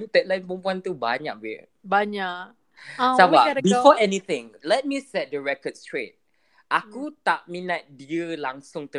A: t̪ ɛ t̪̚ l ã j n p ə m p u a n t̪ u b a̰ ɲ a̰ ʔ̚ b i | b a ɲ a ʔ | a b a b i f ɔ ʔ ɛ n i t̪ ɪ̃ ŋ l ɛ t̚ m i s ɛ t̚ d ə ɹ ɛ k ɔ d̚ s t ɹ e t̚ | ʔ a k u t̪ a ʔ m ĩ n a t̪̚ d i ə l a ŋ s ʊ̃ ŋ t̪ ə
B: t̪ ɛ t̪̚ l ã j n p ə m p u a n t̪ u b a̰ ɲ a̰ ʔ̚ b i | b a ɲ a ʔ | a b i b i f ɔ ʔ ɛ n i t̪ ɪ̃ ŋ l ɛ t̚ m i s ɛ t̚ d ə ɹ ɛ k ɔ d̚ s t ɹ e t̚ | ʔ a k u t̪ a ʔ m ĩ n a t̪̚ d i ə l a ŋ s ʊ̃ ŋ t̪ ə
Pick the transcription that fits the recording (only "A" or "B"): A